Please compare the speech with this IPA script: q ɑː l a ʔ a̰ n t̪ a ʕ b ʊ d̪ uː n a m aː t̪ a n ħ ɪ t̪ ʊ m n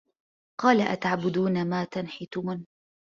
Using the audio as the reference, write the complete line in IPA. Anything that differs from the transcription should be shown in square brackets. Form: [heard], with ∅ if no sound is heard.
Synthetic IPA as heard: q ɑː l a ʔ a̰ [∅] t̪ a ʕ b ʊ d̪ uː n a m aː t̪ a n ħ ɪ t̪ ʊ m n